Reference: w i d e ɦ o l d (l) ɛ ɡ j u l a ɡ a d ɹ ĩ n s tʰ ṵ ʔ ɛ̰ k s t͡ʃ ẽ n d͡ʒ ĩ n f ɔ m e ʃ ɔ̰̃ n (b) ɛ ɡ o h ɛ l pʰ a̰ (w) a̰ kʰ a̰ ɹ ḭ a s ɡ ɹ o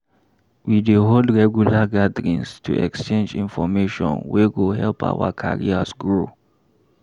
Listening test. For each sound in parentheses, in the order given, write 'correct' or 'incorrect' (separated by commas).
incorrect, incorrect, correct